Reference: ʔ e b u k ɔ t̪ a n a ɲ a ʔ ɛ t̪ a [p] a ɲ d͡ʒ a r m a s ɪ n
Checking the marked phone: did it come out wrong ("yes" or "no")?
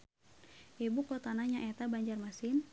yes